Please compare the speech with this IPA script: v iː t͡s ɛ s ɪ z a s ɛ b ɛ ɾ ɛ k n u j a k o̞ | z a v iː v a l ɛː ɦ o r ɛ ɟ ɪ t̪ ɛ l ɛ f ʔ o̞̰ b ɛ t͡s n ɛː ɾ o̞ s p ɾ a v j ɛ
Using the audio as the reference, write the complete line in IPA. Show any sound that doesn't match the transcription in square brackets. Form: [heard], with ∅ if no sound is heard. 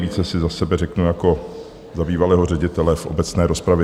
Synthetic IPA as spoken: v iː t͡s ɛ s ɪ z a s ɛ b ɛ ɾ ɛ k n u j a k o̞ | z a [b] iː v a l ɛː ɦ o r ɛ ɟ ɪ t̪ ɛ l ɛ f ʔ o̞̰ b ɛ t͡s n ɛː ɾ o̞ s p ɾ a v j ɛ